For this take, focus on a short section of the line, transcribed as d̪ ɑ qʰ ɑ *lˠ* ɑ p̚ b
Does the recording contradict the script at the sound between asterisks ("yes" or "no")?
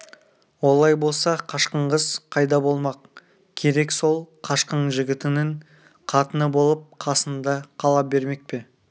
no